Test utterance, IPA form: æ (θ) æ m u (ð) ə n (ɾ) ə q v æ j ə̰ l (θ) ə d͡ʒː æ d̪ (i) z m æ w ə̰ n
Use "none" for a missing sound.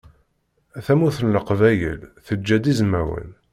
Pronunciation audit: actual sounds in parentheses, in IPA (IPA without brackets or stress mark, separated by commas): θ, θ, l, θ, i